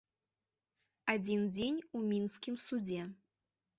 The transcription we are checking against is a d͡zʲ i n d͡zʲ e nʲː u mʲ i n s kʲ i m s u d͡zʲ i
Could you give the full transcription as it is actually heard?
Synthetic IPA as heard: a d͡zʲ i n d͡zʲ e nʲ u mʲ i n s kʲ i m s u d͡zʲ ɛ